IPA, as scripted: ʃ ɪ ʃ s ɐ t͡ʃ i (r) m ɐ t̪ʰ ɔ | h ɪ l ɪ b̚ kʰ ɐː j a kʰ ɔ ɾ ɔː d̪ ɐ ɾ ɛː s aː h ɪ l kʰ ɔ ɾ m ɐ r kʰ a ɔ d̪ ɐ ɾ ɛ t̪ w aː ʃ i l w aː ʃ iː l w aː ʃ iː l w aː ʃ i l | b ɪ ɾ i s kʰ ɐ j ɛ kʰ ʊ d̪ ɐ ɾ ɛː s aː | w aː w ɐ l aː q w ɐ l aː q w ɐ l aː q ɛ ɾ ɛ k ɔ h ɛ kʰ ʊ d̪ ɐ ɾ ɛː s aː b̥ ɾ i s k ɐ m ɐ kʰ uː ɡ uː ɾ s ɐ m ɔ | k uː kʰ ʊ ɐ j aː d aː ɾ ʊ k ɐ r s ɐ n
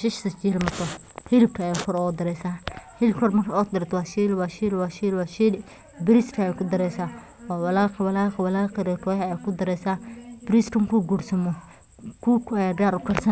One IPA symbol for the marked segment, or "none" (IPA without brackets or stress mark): l